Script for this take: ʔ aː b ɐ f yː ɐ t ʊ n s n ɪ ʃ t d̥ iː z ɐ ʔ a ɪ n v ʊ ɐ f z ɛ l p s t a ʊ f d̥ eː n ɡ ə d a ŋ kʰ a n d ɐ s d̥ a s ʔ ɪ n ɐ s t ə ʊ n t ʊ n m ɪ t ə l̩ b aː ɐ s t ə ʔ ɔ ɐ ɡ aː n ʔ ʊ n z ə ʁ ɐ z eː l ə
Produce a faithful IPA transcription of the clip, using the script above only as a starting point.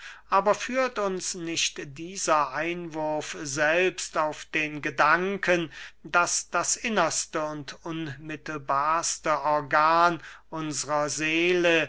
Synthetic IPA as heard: ʔ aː b ɐ f yː ɐ t ʊ n s n ɪ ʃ t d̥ iː z ɐ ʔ a ɪ n v ʊ ɐ f z ɛ l p s t a ʊ f d̥ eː n ɡ ə d a ŋ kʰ ə n d a s d̥ a s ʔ ɪ n ɐ s t ə ʊ n t ʊ n m ɪ t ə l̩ b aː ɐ s t ə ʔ ɔ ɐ ɡ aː n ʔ ʊ n z ə ʁ ɐ z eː l ə